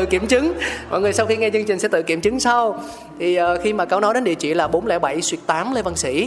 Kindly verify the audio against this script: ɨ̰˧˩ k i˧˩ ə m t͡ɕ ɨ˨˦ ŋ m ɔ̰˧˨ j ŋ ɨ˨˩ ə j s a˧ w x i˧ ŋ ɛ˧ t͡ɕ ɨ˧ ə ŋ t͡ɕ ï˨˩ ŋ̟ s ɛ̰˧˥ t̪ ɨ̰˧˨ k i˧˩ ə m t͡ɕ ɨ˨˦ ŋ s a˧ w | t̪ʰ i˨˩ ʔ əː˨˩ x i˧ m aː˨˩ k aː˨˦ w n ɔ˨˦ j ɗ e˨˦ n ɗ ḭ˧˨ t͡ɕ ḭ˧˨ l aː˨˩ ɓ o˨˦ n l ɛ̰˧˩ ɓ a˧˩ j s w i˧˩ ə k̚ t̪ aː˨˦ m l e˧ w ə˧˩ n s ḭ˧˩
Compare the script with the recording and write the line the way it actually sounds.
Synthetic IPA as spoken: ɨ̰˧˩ k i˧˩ ə m t͡ɕ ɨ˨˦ ŋ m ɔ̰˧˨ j ŋ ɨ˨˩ ə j s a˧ w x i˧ ŋ ɛ˧ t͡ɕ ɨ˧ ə ŋ t͡ɕ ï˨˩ ŋ̟ s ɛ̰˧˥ t̪ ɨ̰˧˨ k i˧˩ ə m t͡ɕ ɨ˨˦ ŋ s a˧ w | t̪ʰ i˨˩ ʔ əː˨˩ x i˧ m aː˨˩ k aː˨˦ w n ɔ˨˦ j ɗ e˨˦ n ɗ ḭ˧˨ t͡ɕ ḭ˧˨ l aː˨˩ ɓ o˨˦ n l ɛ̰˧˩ ɓ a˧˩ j s w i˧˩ ə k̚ t̪ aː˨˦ m l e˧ v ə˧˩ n s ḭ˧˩